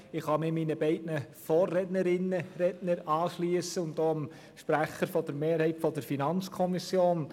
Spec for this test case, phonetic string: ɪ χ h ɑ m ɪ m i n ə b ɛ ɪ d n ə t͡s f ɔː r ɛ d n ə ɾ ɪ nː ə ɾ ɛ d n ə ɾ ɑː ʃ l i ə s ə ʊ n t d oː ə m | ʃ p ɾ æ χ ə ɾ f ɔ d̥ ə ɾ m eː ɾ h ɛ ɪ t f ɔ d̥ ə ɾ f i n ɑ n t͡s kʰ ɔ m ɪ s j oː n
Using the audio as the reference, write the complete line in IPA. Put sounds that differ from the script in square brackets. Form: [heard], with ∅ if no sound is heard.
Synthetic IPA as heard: ɪ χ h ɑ m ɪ m i n ə b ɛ ɪ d n ə [∅] f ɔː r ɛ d n ə ɾ ɪ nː ə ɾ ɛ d n ə ɾ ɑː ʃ l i ə s ə ʊ n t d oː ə m | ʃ p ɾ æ χ ə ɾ f ɔ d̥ ə ɾ m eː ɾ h ɛ ɪ t f ɔ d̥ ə ɾ f i n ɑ n t͡s kʰ ɔ m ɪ s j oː n